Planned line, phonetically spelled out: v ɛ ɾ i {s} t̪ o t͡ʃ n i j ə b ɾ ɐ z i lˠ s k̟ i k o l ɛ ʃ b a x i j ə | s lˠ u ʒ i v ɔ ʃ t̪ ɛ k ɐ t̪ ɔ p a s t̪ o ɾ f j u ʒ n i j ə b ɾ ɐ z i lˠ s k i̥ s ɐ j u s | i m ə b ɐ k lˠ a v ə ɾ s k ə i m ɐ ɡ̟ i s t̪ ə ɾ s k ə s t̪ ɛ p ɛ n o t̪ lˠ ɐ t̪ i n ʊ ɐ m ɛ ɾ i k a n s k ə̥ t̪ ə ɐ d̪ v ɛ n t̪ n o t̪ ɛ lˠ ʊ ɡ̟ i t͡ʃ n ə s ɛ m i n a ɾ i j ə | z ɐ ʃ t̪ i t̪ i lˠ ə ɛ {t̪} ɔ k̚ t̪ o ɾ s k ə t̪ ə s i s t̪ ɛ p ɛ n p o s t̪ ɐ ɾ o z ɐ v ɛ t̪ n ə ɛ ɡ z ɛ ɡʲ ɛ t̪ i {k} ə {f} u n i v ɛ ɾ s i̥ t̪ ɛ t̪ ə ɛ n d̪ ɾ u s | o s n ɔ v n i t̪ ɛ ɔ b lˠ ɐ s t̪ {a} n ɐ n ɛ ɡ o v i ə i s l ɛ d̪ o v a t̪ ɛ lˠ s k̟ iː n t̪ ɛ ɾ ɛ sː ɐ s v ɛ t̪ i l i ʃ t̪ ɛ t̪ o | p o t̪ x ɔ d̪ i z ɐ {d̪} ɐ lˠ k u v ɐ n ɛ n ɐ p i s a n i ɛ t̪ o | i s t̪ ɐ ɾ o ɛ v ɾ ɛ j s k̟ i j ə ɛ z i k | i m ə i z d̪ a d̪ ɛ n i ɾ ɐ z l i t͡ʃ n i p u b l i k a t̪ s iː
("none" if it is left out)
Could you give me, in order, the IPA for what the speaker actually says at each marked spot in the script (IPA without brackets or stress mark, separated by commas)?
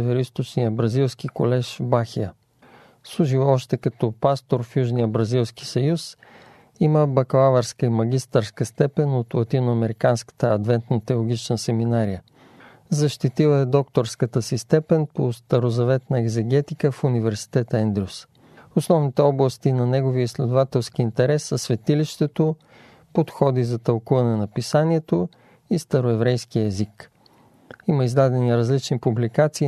s, d̪, k, f, i, t̪